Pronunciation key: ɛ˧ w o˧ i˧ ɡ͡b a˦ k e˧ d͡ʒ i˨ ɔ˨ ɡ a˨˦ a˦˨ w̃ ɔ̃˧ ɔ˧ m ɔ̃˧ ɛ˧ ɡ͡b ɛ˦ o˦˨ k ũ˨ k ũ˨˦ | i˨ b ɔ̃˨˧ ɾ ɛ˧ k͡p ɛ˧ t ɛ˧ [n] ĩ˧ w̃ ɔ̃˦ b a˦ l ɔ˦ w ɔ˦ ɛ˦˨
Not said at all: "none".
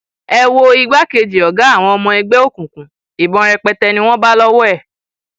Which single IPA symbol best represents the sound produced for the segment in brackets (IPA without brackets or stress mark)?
n